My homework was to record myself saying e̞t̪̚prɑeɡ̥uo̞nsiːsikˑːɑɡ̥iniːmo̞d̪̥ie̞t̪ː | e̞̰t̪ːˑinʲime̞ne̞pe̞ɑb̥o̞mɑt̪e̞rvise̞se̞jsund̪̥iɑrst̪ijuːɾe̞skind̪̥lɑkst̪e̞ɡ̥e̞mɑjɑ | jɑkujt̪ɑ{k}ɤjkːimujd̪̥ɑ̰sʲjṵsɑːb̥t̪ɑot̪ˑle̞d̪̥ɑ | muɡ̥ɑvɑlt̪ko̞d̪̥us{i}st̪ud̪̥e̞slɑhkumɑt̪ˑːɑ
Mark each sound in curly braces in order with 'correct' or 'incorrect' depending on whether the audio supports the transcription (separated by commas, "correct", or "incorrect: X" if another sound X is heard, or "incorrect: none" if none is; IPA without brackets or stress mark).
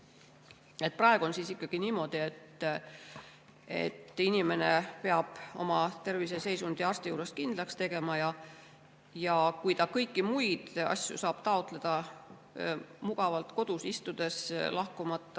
correct, correct